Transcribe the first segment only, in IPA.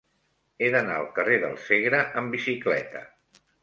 e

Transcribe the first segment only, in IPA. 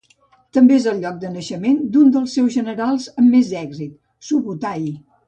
t̪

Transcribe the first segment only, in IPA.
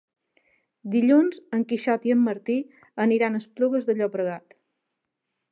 d̪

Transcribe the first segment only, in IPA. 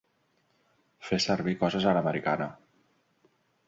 f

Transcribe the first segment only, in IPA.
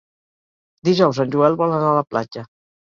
d̪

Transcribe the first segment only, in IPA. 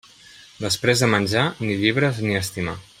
d̪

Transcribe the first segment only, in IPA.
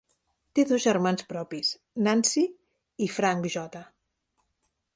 t̪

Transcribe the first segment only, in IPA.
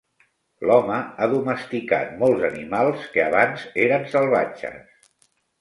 l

